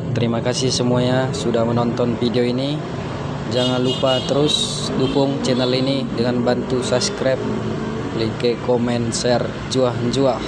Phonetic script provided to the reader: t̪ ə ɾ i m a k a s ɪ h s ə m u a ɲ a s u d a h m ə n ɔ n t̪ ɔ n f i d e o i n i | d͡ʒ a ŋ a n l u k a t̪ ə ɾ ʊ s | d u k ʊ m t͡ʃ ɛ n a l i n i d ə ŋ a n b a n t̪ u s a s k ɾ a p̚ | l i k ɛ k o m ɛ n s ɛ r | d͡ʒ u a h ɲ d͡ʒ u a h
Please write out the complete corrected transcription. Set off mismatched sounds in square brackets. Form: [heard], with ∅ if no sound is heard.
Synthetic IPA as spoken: t̪ ə ɾ i m a k a s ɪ h s ə m u a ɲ a s u d a h m ə n ɔ n t̪ ɔ n f i d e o i n i | d͡ʒ a ŋ a n l u [p] a t̪ ə ɾ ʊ s | d u k ʊ [ŋ] t͡ʃ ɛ n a l i n i d ə ŋ a n b a n t̪ u s a s k ɾ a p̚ | l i k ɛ k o m ɛ n s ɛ r | d͡ʒ u a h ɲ d͡ʒ u a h

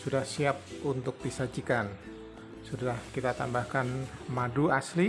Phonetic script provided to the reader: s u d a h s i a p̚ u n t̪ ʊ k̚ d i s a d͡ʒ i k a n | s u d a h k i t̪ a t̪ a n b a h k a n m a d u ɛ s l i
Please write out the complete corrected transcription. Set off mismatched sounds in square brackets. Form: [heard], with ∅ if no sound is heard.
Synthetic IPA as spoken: s u d a h s i a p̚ u n t̪ ʊ k̚ d i s a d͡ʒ i k a n | s u d a h k i t̪ a t̪ a [m] b a h k a n m a d u [a] s l i

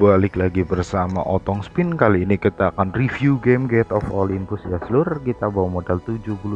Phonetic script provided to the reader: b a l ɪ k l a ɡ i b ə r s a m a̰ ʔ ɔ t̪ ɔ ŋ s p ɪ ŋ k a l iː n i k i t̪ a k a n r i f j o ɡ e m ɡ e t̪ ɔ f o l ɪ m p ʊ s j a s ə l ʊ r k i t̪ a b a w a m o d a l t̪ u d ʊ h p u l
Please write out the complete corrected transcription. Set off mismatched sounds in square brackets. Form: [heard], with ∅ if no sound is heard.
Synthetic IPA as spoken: b a l ɪ k l a ɡ i b ə r s a m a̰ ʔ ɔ t̪ ɔ ŋ s p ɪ [n] k a l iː n i k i t̪ a k a n r i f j [u] ɡ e m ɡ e t̪ ɔ f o l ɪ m p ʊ s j a s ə l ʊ r k i t̪ a b a w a m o d a l t̪ u [d͡ʒ] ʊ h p u l

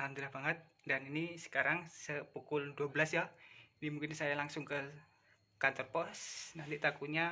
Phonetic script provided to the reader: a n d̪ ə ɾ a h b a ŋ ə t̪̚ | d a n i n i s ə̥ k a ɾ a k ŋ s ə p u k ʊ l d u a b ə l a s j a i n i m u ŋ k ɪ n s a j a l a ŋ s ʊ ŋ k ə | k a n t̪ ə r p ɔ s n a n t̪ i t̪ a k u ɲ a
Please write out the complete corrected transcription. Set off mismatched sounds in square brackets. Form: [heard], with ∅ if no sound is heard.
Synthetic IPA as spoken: a n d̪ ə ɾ a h b a ŋ ə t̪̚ | d a n i n i s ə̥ k a ɾ a [∅] ŋ s ə p u k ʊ l d u a b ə l a s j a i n i m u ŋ k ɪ n s a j a l a ŋ s ʊ ŋ k ə | k a n t̪ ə r p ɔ s n a n t̪ i t̪ a k u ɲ a

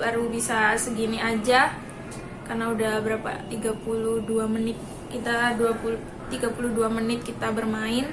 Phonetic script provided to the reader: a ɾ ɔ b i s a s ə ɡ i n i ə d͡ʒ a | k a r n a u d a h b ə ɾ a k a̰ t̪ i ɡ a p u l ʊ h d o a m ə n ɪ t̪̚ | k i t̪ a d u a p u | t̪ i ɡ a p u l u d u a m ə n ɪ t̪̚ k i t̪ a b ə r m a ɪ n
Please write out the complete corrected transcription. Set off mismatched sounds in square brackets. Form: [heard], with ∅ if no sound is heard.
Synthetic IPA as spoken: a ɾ [u] b i s a s ə ɡ i n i [a] d͡ʒ a | k a r n a u d a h b ə ɾ a [p] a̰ t̪ i ɡ a p u l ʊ h d [u] a m ə n ɪ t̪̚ | k i t̪ a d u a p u | t̪ i ɡ a p u l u d u a m ə n ɪ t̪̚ k i t̪ a b ə r m a ɪ n

